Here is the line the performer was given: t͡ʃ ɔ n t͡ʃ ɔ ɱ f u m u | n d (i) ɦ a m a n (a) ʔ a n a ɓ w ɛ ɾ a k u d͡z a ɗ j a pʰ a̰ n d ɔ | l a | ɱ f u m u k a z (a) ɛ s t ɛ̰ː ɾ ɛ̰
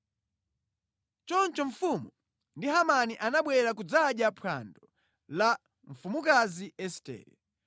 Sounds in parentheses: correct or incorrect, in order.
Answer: correct, incorrect, incorrect

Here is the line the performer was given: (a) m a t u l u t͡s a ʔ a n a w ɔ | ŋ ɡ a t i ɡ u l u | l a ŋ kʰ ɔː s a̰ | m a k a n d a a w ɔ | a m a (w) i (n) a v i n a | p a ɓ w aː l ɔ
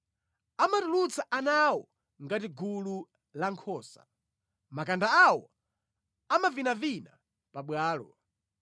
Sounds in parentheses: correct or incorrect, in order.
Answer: correct, incorrect, correct

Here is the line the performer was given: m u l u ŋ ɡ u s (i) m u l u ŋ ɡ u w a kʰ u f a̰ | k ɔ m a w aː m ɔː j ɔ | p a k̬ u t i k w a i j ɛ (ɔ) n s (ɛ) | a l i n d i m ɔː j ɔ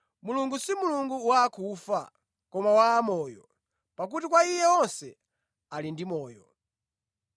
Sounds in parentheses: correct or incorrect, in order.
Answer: correct, correct, correct

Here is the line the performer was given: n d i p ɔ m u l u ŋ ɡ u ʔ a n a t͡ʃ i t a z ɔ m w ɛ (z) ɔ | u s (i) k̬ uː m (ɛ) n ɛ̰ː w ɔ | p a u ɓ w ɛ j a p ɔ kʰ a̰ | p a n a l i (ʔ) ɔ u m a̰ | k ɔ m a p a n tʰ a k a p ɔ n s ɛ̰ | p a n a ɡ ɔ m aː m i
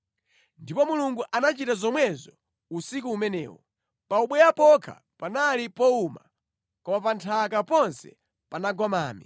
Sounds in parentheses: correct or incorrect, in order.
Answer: correct, correct, correct, incorrect

